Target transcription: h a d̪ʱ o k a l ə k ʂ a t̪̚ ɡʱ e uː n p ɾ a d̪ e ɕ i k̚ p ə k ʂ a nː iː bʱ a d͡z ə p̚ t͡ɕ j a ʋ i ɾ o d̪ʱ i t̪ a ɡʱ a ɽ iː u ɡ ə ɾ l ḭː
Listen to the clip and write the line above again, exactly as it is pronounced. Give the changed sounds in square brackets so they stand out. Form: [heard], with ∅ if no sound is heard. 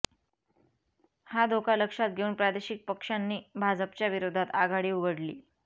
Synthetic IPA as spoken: h a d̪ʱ o k a l ə k ʂ a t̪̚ ɡʱ e uː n p ɾ a d̪ e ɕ i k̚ p ə k ʂ a nː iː bʱ a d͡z ə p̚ t͡ɕ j a ʋ i ɾ o d̪ʱ [a] t̪ a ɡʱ a ɽ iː u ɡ ə [ɽ] l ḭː